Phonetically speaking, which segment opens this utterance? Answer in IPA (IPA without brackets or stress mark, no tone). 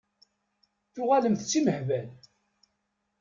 θ